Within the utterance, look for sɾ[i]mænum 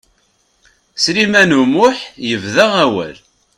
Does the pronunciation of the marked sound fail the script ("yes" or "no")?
no